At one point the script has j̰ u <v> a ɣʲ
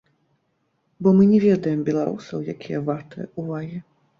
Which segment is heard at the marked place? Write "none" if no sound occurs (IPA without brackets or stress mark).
v